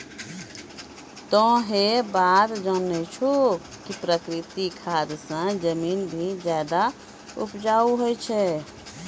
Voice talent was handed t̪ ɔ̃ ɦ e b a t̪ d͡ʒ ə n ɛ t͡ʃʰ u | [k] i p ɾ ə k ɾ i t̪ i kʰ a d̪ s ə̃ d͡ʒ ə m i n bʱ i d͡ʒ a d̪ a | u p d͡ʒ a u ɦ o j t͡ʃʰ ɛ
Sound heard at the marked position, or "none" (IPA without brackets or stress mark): k